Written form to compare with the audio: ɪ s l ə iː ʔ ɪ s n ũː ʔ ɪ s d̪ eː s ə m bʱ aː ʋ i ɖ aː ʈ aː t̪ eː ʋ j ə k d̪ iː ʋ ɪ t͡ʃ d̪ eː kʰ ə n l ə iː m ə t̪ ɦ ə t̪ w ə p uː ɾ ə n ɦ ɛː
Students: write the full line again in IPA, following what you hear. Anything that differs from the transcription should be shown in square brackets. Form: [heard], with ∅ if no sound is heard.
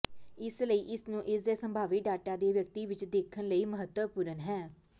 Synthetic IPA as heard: ɪ s l ə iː ʔ ɪ s n ũː ʔ ɪ s d̪ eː s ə m bʱ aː ʋ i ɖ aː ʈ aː [d̪] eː ʋ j ə k [t̪] iː ʋ ɪ t͡ʃ d̪ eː kʰ ə n l ə iː m ə [∅] ɦ ə t̪ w ə p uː ɾ ə n ɦ ɛː